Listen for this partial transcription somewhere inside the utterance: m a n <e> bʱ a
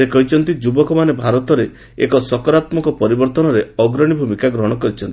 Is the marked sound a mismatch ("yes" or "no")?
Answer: no